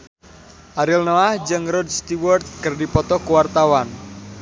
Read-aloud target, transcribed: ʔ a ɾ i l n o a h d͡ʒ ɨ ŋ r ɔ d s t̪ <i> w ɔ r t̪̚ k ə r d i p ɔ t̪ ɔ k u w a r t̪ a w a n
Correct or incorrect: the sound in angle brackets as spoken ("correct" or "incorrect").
correct